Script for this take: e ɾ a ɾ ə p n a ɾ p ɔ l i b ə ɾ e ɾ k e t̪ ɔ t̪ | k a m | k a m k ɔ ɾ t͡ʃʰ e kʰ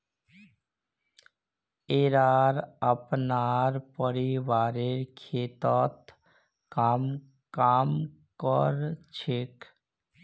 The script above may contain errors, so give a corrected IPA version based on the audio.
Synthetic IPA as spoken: e ɾ a ɾ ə p n a ɾ p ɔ ɾ i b a ɾ e ɾ kʰ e t̪ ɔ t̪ | k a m | k a m k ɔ ɾ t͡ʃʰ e k